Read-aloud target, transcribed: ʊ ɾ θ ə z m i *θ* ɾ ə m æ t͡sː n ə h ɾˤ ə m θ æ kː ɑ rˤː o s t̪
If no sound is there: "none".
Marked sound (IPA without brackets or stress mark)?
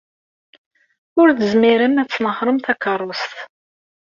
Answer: none